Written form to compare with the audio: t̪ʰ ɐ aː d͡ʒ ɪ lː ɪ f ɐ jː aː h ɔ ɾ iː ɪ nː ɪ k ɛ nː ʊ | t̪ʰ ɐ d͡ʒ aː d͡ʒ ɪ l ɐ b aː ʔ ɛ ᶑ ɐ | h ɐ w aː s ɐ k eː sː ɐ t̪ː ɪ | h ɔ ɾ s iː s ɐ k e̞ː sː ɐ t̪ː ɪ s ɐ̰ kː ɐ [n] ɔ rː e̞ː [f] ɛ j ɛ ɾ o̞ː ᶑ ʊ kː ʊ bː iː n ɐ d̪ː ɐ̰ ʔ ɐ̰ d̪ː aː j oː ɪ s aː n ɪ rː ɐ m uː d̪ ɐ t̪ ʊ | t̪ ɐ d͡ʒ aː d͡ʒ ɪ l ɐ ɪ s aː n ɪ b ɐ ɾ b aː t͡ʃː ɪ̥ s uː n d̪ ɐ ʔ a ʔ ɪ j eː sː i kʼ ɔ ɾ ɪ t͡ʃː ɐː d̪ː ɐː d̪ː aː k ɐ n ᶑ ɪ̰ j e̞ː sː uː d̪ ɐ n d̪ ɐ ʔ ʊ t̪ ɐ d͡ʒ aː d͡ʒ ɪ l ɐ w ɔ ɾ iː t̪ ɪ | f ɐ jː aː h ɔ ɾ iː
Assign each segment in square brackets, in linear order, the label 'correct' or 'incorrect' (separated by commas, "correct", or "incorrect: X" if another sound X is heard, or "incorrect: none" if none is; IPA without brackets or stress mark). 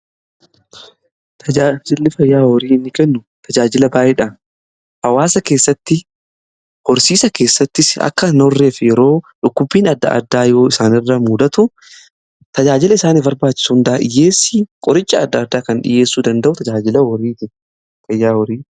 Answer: correct, correct